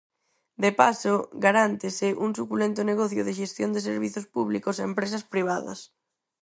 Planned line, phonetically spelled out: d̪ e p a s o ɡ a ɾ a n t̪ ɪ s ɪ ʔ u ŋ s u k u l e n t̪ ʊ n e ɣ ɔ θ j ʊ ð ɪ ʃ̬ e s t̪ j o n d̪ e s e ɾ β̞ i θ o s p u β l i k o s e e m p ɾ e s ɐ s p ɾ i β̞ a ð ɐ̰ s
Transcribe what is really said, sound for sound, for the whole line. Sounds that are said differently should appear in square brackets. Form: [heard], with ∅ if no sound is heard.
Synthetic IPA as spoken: d̪ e p a s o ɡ a ɾ a n t̪ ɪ s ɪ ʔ u ŋ s u k u l e n t̪ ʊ n e ɣ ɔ θ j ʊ ð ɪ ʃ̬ e s t̪ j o n d̪ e s e ɾ β̞ i θ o s p u β l i k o s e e m p ɾ e s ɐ s p ɾ i β̞ a ð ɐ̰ s